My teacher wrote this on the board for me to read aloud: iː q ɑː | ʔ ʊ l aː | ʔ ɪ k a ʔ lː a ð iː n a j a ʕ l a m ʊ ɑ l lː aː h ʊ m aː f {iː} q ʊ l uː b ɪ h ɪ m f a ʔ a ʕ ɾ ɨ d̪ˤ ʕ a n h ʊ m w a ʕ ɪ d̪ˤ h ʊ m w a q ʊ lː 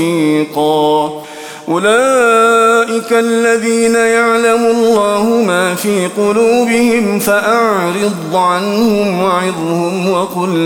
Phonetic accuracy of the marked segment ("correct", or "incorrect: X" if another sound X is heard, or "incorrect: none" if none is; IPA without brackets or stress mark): correct